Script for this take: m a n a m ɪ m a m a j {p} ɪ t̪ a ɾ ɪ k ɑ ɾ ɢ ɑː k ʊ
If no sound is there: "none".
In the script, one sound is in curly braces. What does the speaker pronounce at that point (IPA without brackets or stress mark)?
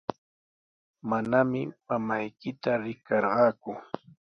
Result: k